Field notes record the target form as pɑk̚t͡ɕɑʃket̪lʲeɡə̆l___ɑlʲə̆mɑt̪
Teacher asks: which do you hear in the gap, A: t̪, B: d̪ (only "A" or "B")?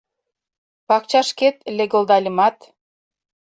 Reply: B